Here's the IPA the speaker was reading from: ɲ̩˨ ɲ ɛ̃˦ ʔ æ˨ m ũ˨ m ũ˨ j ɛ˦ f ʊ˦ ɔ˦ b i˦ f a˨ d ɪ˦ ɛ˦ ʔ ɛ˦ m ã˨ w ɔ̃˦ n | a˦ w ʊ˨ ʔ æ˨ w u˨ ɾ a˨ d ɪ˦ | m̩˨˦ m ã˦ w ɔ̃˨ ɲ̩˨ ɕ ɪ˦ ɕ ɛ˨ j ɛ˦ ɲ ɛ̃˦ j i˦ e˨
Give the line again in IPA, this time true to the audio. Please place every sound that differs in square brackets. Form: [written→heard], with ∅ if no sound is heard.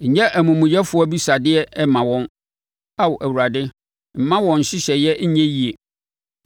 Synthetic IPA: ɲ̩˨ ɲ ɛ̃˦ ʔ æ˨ m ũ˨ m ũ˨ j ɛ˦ f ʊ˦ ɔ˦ b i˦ [f→s] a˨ d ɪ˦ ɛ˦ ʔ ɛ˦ m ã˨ w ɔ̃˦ n | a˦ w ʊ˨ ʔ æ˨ w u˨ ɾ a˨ d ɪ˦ | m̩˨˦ m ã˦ w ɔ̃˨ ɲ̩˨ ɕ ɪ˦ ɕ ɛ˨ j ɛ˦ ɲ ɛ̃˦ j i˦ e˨